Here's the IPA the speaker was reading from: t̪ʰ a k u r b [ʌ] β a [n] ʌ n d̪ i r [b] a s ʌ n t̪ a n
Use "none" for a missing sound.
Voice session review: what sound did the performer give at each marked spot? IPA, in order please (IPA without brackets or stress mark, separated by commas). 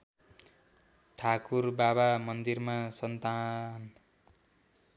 a, m, m